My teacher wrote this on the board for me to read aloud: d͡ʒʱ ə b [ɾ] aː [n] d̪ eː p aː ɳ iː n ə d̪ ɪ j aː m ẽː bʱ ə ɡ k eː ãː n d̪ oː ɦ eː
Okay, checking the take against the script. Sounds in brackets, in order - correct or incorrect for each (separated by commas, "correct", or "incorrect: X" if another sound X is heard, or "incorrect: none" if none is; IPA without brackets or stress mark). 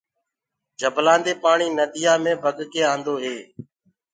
incorrect: l, correct